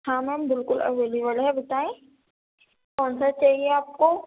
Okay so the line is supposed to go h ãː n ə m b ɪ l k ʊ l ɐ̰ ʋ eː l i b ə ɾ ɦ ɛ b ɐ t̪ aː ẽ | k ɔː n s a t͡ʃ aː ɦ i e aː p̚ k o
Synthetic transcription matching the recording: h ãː m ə m b ɪ l k ʊ l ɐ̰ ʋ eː l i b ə l ɦ ɛ b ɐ t̪ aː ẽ | k ɔː n s a t͡ʃ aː ɦ i e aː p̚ k o